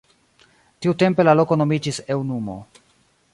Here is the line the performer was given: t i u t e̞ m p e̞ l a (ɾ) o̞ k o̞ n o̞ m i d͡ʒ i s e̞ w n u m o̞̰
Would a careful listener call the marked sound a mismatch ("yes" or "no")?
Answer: yes